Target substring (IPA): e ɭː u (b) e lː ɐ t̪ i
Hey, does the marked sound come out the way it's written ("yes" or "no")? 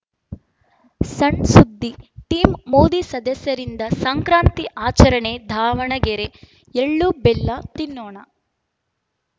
yes